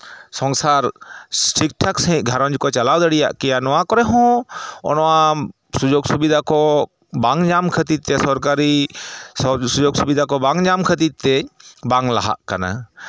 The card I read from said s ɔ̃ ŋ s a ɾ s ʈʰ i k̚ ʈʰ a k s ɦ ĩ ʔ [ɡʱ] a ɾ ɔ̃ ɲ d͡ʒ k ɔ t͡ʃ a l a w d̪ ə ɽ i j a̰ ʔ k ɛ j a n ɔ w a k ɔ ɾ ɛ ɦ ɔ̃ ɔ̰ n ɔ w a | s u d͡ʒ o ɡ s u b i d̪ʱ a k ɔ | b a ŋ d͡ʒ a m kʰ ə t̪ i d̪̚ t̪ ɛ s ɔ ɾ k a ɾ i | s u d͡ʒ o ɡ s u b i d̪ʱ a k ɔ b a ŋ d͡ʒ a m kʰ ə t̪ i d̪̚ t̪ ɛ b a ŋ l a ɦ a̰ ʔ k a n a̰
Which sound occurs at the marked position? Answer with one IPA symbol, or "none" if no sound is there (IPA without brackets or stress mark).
ɡʱ